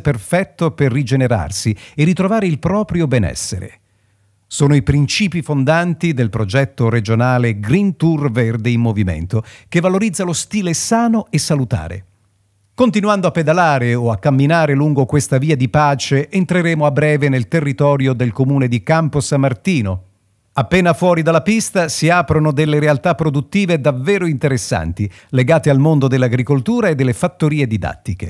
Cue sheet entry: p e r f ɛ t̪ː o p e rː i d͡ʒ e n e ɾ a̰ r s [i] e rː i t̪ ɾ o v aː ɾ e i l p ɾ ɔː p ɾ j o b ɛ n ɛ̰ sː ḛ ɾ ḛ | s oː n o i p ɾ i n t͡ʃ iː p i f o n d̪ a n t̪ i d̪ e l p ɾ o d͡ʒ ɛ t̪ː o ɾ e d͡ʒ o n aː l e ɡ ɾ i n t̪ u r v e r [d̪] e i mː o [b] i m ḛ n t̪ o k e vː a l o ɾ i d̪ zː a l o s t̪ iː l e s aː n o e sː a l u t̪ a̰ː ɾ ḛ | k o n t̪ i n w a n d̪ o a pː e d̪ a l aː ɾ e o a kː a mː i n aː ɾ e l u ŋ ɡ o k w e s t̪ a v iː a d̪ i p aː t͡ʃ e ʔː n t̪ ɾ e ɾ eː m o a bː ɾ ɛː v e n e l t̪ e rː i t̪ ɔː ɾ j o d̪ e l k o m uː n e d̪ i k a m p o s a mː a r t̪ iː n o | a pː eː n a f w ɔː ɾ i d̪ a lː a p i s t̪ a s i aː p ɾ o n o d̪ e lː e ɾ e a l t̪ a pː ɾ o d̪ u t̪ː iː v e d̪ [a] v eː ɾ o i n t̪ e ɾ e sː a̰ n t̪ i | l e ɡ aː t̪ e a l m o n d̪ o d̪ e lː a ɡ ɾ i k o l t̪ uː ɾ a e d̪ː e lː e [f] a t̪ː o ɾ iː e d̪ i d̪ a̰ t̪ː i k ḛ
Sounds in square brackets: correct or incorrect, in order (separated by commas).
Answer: correct, correct, incorrect, correct, correct